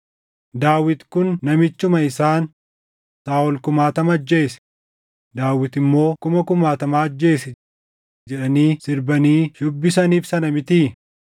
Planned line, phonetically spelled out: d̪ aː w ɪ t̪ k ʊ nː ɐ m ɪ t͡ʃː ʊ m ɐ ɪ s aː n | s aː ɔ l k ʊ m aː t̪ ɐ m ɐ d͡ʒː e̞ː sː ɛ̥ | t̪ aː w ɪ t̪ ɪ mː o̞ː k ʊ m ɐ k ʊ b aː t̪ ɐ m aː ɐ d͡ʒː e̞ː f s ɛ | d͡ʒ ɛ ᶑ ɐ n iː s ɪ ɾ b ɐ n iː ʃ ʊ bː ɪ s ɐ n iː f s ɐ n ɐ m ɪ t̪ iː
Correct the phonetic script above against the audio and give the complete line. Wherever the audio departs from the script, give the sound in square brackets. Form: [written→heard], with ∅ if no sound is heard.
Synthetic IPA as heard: d̪ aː w ɪ t̪ k ʊ nː ɐ m ɪ t͡ʃː ʊ m ɐ ɪ s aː n | s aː ɔ l k ʊ m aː t̪ ɐ m ɐ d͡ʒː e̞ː [sː→s] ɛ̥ | [t̪→d̪] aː w ɪ t̪ ɪ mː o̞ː k ʊ m ɐ k ʊ [b→m] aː t̪ ɐ m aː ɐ d͡ʒː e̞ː [f→∅] s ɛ | d͡ʒ ɛ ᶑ ɐ n iː s ɪ ɾ b ɐ n iː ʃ ʊ bː ɪ s ɐ n iː f s ɐ n ɐ m ɪ t̪ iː